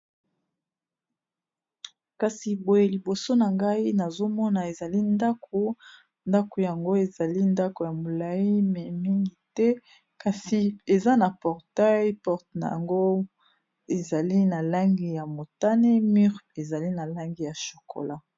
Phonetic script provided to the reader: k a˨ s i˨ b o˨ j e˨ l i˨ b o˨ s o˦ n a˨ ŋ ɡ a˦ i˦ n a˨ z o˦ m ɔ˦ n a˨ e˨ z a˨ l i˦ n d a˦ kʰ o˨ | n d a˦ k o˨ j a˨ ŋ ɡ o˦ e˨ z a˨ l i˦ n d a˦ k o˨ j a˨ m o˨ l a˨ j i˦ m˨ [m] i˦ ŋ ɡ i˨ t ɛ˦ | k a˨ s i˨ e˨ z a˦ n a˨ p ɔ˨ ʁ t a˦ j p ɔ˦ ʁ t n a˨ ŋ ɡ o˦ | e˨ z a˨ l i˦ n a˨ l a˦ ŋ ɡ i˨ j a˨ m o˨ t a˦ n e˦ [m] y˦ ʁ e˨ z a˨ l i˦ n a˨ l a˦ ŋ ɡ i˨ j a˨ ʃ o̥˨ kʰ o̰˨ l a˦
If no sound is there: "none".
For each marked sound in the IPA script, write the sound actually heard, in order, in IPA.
m, m

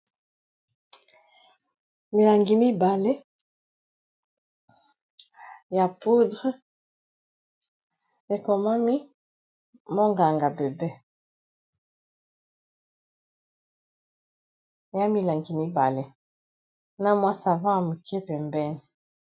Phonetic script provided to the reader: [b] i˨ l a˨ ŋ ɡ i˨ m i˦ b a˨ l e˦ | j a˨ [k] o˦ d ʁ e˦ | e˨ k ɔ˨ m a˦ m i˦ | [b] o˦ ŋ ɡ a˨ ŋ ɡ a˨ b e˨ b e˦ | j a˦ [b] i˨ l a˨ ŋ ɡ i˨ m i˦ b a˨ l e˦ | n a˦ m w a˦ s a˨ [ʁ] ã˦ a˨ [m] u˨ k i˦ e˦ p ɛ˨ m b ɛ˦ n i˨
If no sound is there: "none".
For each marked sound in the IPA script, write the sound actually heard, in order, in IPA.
m, p, m, m, v, m

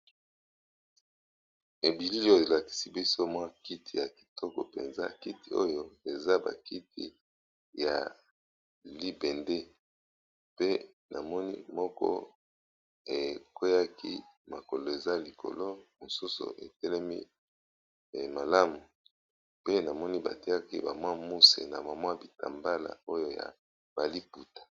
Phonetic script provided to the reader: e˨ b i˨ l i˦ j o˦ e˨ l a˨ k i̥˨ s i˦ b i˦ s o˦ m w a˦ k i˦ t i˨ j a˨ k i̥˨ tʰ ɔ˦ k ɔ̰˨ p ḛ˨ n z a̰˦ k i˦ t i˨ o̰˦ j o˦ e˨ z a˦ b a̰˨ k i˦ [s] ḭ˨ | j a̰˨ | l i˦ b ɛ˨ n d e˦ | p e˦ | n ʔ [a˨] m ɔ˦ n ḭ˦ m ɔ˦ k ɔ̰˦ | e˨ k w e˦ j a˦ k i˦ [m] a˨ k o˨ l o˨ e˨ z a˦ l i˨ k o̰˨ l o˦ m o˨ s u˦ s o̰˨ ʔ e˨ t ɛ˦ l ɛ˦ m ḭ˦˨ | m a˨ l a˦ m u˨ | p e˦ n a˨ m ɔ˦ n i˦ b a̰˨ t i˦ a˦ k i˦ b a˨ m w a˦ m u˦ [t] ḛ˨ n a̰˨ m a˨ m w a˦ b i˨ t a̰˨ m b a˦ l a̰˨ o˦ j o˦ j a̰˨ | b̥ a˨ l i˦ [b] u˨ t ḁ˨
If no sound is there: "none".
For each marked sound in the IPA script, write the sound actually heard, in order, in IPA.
t, a˨, m, s, p

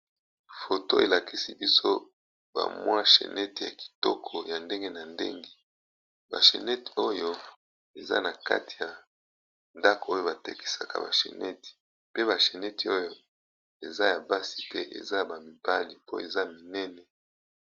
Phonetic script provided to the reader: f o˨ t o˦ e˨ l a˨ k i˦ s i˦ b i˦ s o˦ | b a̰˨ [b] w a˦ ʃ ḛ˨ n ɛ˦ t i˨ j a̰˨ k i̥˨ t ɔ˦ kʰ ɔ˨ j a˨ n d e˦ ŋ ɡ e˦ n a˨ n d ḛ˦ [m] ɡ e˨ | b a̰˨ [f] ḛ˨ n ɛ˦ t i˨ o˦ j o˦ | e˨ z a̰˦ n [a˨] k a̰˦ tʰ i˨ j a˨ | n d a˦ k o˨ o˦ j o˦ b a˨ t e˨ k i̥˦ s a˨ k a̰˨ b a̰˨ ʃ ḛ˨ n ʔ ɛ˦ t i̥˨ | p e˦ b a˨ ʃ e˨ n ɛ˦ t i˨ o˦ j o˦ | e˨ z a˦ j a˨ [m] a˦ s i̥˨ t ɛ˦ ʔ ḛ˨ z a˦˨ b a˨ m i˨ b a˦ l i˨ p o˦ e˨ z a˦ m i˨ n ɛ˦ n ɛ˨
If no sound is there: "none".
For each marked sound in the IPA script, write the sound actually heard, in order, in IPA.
m, ŋ, ʃ, a˨, b

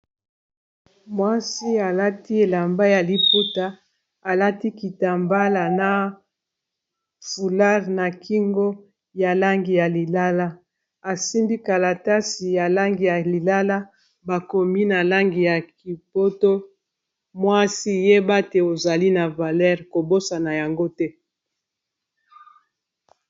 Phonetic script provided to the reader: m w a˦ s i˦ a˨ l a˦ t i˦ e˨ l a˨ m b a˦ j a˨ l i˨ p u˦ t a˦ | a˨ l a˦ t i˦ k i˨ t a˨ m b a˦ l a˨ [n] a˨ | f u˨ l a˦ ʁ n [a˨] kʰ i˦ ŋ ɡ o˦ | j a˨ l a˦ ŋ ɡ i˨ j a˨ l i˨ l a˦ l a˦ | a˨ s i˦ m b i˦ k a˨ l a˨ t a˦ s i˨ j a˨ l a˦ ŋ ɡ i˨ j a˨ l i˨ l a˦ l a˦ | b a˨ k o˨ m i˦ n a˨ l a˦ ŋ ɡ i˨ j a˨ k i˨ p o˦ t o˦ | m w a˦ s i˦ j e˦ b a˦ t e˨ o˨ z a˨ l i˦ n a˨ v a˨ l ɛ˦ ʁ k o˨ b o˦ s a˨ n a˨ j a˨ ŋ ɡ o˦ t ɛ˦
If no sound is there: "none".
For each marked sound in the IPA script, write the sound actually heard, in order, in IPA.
n, a˨

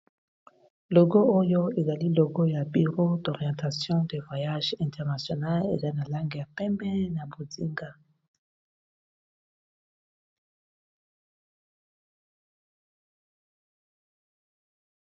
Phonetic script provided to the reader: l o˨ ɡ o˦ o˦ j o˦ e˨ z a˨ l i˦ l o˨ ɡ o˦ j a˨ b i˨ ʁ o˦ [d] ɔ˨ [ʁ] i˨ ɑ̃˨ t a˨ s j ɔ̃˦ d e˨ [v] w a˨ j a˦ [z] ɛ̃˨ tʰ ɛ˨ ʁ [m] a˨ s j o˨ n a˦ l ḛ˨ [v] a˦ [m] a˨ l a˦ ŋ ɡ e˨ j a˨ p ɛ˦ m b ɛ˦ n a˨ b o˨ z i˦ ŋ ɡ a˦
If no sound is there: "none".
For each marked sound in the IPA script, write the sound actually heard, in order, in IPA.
d, ʁ, v, ʒ, n, z, n

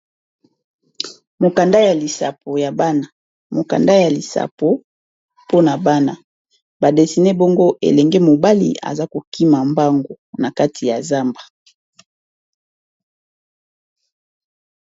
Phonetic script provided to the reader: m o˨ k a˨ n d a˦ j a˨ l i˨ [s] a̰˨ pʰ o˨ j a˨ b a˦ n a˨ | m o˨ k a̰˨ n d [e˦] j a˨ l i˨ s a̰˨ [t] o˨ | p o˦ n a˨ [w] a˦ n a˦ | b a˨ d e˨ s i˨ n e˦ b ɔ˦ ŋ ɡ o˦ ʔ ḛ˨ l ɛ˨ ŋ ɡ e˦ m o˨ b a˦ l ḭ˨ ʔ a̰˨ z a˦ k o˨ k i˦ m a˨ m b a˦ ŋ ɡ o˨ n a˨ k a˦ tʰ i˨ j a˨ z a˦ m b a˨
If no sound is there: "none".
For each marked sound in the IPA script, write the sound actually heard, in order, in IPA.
s, a˦, p, b

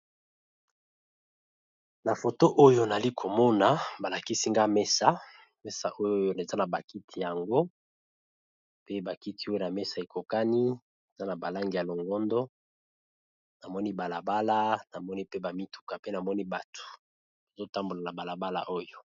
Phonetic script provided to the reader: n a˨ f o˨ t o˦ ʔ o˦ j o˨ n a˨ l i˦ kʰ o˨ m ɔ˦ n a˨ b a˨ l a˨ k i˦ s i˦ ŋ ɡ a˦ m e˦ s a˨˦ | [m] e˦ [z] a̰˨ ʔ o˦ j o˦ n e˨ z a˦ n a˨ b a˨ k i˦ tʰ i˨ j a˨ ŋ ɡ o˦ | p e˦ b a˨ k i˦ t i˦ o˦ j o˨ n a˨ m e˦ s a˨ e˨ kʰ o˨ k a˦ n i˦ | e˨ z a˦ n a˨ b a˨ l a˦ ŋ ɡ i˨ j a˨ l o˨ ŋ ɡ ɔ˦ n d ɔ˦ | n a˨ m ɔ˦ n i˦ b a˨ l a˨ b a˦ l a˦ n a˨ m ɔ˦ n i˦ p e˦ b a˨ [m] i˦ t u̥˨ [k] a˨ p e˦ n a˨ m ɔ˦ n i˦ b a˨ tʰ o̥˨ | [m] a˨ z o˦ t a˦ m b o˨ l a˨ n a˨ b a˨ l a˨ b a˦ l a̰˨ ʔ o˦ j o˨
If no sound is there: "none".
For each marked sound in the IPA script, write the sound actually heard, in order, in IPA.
m, s, m, k, b

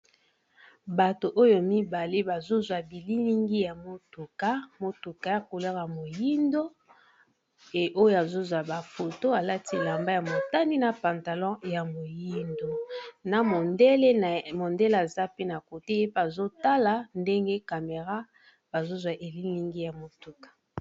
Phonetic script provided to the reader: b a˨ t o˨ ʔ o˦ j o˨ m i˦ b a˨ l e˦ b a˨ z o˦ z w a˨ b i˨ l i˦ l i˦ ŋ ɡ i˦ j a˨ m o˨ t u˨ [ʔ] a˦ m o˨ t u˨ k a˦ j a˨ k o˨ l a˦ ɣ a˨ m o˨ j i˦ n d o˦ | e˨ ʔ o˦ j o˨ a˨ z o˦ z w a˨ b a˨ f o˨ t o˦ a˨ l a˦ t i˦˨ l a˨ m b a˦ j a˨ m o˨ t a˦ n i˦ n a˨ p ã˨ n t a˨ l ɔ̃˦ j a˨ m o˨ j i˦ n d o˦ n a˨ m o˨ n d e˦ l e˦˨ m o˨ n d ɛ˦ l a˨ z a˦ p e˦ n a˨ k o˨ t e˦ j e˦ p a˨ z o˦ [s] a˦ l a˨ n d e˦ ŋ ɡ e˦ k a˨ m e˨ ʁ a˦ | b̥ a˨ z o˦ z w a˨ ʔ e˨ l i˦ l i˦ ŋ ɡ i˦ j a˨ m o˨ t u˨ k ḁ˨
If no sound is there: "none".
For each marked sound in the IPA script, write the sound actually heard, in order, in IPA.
k, t

